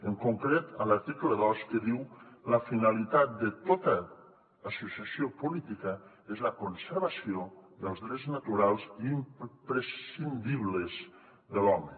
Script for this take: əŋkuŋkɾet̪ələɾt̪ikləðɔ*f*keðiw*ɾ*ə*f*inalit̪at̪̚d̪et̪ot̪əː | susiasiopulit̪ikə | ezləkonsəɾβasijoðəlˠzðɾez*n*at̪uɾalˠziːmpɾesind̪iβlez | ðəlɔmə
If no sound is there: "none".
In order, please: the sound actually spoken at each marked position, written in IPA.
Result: s, l, f, n

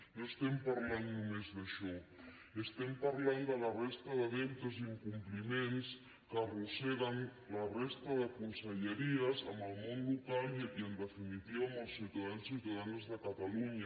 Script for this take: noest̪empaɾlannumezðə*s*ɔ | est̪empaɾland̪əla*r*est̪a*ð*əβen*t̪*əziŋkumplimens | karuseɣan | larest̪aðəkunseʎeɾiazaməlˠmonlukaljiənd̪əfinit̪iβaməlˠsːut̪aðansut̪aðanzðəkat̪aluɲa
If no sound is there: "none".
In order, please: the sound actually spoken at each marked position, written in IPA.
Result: ʃ, r, ð, t̪

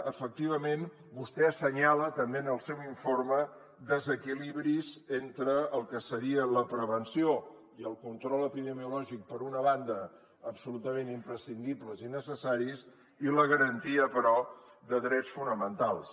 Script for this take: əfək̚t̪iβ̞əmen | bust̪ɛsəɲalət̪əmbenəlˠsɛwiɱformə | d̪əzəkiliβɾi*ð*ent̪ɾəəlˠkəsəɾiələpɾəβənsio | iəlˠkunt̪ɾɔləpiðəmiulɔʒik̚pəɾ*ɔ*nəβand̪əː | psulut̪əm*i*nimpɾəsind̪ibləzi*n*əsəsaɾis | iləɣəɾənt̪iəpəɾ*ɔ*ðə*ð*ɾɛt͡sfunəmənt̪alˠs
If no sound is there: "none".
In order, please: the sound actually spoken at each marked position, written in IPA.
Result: z, u, e, n, ɔ, ð

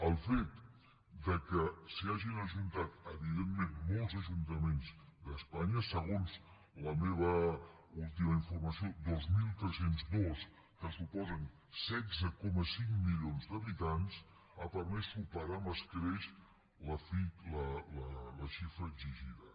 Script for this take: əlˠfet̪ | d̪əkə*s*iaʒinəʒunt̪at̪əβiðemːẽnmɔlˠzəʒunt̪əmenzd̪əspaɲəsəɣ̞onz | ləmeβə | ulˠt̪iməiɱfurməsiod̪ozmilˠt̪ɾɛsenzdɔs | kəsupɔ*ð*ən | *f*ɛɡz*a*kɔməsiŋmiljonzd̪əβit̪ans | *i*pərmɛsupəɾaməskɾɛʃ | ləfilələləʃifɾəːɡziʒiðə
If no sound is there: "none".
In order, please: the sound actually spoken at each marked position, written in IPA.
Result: s, z, s, ə, a

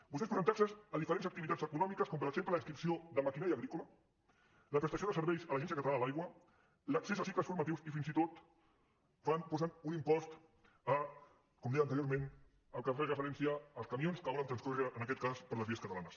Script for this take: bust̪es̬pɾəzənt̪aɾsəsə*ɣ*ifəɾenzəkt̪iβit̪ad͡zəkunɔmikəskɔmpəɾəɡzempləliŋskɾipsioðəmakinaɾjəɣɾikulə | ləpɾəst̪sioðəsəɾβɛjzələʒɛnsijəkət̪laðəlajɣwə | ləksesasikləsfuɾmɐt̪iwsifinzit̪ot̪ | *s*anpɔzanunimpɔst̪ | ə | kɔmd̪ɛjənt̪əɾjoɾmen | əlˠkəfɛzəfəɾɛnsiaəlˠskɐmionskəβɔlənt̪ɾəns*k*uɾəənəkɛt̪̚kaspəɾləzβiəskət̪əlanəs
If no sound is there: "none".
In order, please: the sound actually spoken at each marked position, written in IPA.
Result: ð, f, k

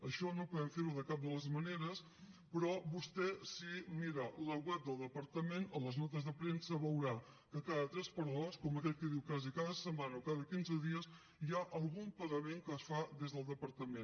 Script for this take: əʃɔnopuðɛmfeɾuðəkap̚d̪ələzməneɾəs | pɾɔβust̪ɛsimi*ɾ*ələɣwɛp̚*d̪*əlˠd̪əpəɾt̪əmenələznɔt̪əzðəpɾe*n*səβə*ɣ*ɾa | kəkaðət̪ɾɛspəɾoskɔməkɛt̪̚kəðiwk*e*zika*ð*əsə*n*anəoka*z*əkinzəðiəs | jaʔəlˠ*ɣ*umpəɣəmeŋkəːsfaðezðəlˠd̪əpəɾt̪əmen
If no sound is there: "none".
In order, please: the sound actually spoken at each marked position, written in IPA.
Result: ɾ, d̪, n, w, a, ð, m, ð, ɣ

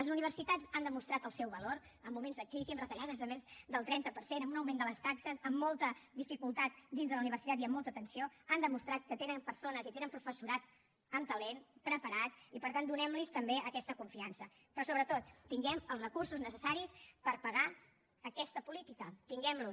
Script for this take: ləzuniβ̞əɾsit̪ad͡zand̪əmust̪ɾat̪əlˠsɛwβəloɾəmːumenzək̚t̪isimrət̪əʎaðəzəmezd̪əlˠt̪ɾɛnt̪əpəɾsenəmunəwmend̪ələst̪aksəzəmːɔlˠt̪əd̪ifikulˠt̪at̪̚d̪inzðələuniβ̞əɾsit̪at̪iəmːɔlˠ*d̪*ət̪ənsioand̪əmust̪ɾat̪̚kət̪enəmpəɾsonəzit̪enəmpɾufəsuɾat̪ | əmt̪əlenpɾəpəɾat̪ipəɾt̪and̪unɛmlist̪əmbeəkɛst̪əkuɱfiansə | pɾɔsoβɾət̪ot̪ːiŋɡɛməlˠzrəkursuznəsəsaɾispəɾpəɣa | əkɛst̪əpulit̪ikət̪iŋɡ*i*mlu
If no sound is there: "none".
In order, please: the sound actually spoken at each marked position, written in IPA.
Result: t̪, ɛ

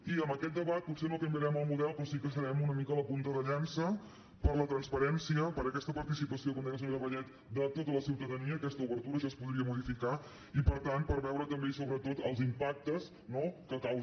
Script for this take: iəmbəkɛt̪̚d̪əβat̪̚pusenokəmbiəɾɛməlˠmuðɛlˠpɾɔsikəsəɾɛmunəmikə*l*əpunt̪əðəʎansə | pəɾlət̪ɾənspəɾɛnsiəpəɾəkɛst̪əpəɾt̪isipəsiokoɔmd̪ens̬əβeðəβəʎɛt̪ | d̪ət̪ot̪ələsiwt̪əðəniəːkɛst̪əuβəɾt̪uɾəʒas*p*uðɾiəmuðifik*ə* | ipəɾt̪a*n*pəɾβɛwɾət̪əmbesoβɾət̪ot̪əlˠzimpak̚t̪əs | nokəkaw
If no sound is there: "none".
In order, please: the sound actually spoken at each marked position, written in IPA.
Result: l, p, a, n

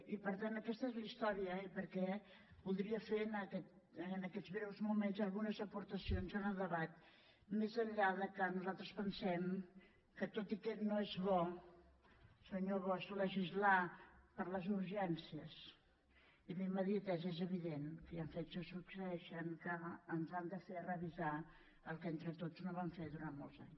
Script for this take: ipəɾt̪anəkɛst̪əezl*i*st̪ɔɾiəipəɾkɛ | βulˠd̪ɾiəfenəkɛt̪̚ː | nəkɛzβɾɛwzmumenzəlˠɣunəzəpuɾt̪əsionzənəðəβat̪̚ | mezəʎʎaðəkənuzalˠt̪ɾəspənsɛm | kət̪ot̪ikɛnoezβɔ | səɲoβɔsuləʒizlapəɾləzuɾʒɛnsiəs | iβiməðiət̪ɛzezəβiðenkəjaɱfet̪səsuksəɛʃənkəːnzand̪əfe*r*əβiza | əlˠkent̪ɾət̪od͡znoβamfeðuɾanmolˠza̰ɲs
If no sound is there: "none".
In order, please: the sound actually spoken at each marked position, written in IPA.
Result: i, r

